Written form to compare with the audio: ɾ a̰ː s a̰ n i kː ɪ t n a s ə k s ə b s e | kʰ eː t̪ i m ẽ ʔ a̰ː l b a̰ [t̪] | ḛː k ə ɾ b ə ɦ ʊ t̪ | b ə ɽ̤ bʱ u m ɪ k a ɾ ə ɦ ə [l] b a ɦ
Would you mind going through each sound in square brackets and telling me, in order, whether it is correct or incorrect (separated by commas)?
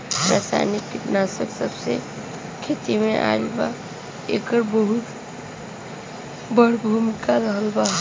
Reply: incorrect, correct